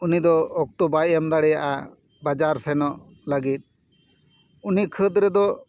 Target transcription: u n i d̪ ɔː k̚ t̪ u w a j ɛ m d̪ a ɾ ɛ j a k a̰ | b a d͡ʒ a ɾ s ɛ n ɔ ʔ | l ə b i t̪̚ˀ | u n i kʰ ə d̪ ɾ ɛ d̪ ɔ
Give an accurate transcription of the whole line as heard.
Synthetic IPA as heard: u n i d̪ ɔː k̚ t̪ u b a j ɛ m d̪ a ɽ ɛ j a ʔ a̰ | b a d͡ʒ a ɾ s ɛ n ɔ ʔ | l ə ɡ i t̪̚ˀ | u n i kʰ ə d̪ ɾ ɛ d̪ ɔ

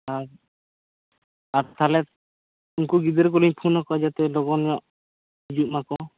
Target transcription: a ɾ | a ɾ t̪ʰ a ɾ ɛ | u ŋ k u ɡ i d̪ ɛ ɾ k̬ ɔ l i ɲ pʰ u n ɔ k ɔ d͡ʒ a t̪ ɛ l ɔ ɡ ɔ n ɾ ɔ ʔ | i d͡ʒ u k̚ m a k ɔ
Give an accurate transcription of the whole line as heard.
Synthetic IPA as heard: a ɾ | a ɾ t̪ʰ a l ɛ | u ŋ k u ɡ i d̪ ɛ ɾ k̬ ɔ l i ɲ pʰ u n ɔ k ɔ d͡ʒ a t̪ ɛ l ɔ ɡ ɔ n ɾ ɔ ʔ | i d͡ʒ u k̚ m a k ɔ

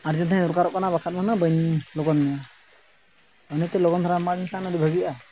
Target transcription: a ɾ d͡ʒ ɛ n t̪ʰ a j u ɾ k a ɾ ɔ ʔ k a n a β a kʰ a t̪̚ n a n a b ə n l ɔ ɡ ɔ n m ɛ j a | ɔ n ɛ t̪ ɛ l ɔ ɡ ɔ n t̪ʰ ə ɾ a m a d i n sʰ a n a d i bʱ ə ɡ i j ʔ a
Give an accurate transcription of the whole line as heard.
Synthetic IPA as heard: a ɾ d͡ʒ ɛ n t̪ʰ a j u ɾ k a ɾ ɔ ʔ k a n a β a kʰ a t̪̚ m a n a b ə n l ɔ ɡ ɔ n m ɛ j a | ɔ n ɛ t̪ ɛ l ɔ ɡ ɔ n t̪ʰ a ɾ a m a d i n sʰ a n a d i bʱ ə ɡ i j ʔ a

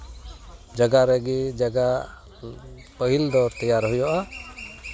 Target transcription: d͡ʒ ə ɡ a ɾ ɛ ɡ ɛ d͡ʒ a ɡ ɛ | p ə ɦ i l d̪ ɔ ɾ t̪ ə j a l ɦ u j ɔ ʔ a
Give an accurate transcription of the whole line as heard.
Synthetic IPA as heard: d͡ʒ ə ɡ a ɾ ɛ ɡ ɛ d͡ʒ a ɡ a | p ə ɦ i l d̪ ɔ ɾ t̪ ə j a ɾ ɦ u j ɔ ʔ a

